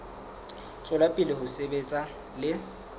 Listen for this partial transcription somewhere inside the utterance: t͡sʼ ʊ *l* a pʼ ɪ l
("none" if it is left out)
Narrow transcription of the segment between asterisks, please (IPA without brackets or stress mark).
l